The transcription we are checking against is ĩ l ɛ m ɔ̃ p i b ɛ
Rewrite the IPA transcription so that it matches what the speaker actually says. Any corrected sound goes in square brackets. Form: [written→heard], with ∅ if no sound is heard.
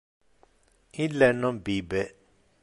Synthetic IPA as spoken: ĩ l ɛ [m→n] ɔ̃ [p→b] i b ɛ